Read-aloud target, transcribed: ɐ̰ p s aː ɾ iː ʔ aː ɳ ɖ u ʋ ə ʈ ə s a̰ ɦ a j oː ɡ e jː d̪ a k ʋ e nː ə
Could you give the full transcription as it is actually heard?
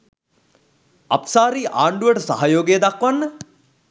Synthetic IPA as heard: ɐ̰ p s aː ɾ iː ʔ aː ɳ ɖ u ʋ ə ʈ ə s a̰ ɦ a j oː ɡ e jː d̪ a k ʋ a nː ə